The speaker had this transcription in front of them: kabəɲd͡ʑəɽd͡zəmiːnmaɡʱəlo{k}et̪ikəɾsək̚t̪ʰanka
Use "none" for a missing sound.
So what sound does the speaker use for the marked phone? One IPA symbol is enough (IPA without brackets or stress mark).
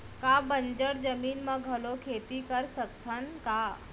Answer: kʰ